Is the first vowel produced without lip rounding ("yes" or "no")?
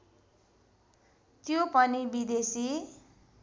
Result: no